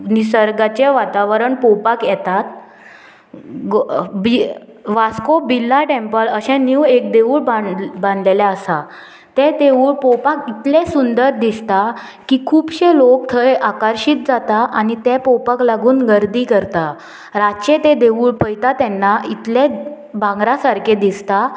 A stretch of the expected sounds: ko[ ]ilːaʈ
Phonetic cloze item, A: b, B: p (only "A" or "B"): A